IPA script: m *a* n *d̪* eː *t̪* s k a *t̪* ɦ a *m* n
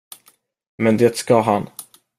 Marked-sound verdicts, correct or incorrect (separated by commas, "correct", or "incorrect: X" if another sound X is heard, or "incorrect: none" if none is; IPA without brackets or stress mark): incorrect: ɛ, correct, correct, incorrect: none, incorrect: none